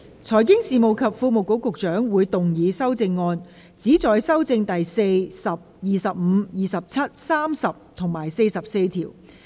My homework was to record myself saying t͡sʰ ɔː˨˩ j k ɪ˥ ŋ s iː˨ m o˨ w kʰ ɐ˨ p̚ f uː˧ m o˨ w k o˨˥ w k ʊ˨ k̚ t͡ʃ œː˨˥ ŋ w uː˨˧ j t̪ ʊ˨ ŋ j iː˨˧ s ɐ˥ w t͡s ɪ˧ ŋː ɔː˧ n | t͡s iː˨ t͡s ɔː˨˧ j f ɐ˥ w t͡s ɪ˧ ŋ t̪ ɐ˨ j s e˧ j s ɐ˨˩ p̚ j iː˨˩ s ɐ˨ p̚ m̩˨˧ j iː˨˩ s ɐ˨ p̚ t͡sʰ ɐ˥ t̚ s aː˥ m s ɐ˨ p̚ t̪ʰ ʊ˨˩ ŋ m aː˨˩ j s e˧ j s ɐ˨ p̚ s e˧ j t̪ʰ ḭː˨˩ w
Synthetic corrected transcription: t͡sʰ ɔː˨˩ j k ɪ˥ ŋ s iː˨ m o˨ w kʰ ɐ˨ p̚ f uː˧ m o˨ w k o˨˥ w k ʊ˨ k̚ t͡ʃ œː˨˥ ŋ w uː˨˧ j t̪ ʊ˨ ŋ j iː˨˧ s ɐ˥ w t͡s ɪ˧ ŋː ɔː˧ n | t͡s iː˨˥ t͡s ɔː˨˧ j s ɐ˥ w t͡s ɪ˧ ŋ t̪ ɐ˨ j s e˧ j s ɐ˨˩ p̚ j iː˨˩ s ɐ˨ p̚ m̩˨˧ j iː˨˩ s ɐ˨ p̚ t͡sʰ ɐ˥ t̚ s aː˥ m s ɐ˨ p̚ t̪ʰ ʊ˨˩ ŋ m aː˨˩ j s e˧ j s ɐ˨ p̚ s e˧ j t̪ʰ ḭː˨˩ w